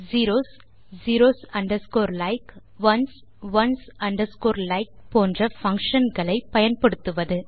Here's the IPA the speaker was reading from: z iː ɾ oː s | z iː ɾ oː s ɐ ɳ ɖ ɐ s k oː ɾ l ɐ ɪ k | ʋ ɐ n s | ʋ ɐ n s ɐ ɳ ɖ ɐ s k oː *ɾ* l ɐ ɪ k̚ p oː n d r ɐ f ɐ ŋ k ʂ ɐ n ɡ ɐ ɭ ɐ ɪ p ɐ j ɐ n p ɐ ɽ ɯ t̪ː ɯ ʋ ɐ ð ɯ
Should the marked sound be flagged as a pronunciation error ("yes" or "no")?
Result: no